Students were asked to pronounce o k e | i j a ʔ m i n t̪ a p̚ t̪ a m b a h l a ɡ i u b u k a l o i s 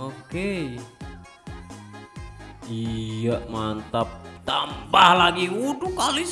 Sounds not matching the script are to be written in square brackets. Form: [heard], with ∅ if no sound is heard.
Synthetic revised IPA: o k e | i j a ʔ m [a] n t̪ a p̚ t̪ a m b a h l a ɡ i u [d] u k a l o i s

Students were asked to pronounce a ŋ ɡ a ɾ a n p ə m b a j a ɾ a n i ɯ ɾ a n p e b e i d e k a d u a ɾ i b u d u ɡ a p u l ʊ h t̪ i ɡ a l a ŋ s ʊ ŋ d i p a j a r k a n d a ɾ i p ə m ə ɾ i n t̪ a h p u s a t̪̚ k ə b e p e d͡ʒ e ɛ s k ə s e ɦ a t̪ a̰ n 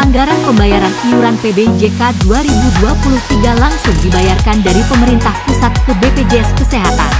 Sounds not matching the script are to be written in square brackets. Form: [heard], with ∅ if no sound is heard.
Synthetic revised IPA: a ŋ ɡ a ɾ a n p ə m b a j a ɾ a n i [u] ɾ a n p e b e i [d͡ʒ] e k a d u a ɾ i b u d u [∅] a p u l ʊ h t̪ i ɡ a l a ŋ s ʊ ŋ d i [b] a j a r k a n d a ɾ i p ə m ə ɾ i n t̪ a h p u s a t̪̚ k ə b e p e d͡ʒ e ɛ s k ə s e ɦ a t̪ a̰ n

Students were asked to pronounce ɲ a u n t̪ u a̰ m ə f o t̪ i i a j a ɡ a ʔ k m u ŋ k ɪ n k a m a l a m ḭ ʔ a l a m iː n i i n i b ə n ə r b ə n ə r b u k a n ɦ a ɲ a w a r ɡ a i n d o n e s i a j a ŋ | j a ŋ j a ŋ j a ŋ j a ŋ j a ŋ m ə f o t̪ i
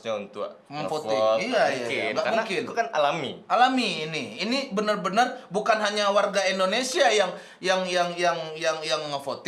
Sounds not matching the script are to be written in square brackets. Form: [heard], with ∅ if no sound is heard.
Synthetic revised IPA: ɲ a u n t̪ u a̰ m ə f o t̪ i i a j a ɡ a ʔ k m u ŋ k ɪ n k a [n] a l a m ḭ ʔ a l a m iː n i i n i b ə n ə r b ə n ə r b u k a n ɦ a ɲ a w a r ɡ a i n d o n e s i a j a ŋ | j a ŋ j a ŋ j a ŋ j a ŋ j a ŋ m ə f o t̪ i

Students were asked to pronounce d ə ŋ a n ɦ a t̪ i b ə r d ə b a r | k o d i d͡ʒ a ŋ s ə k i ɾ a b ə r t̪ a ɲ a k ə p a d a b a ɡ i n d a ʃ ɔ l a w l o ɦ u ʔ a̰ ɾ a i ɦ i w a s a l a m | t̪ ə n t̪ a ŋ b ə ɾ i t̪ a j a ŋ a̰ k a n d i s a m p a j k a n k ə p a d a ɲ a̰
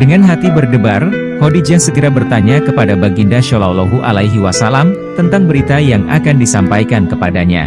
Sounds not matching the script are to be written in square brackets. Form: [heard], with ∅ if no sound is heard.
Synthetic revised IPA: d ə ŋ a n ɦ a t̪ i b ə r d ə b a r | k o d i d͡ʒ a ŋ s ə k i ɾ a b ə r t̪ a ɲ a k ə p a d a b a ɡ i n d a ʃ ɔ l a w l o ɦ u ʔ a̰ [l] a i ɦ i w a s a l a m | t̪ ə n t̪ a ŋ b ə ɾ i t̪ a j a ŋ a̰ k a n d i s a m p a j k a n k ə p a d a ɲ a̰

